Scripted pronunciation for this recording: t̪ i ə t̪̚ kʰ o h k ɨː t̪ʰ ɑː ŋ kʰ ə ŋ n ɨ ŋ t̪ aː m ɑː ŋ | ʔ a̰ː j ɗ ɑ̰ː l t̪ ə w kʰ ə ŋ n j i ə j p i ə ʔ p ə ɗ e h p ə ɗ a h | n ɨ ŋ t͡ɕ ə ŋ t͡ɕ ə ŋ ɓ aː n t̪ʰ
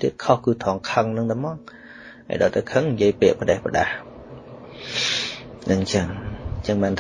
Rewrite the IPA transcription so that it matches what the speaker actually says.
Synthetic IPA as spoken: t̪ i ə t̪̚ kʰ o h k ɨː t̪ʰ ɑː ŋ kʰ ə ŋ n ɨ ŋ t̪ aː m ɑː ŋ | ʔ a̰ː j ɗ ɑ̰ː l t̪ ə w kʰ ə ŋ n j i ə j p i ə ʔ p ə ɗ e h p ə ɗ a h | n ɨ ŋ t͡ɕ ə ŋ t͡ɕ ə ŋ ɓ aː n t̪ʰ